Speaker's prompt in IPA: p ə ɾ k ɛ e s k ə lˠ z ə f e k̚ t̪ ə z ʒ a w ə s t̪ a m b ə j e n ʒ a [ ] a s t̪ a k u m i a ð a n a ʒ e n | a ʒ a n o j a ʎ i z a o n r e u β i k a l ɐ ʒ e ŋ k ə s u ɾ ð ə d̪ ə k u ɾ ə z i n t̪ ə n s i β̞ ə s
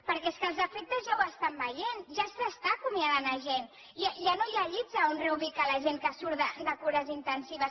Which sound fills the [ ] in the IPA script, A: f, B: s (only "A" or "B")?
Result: B